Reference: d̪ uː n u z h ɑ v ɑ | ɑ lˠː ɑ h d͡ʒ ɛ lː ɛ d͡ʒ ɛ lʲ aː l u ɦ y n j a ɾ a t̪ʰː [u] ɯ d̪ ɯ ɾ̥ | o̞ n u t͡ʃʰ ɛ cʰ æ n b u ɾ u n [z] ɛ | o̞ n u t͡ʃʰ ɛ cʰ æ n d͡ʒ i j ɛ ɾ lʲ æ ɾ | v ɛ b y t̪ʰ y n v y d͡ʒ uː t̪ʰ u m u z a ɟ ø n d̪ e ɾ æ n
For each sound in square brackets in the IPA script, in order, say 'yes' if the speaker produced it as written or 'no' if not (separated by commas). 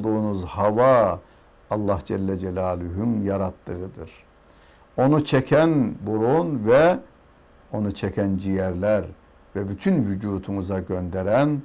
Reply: no, no